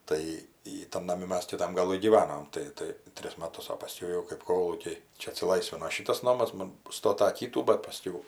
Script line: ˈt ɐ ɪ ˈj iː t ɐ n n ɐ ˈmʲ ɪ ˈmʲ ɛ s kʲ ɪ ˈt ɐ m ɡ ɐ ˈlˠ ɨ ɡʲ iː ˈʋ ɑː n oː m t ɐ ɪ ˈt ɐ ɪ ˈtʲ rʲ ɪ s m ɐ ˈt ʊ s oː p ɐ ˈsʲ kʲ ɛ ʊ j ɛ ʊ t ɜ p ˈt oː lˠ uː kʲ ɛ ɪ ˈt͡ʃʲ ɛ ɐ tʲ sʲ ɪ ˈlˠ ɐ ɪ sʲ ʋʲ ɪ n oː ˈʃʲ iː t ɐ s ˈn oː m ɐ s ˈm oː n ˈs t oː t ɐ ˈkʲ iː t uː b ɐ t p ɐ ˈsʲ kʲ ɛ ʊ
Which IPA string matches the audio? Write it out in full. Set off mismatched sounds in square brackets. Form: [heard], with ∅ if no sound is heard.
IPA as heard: ˈt ɐ ɪ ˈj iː t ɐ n n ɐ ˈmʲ ɪ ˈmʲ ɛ s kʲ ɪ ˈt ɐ m ɡ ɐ ˈlˠ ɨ ɡʲ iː ˈʋ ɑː n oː m t ɐ ɪ ˈt ɐ ɪ ˈtʲ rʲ ɪ s m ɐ ˈt ʊ s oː p ɐ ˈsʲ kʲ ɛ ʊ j ɛ ʊ [k] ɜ p [ˈk] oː lˠ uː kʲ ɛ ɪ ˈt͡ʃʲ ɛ ɐ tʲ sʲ ɪ ˈlˠ ɐ ɪ sʲ ʋʲ ɪ n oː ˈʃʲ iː t ɐ s ˈn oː m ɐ s ˈm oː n ˈs t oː t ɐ ˈkʲ iː t uː b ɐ t p ɐ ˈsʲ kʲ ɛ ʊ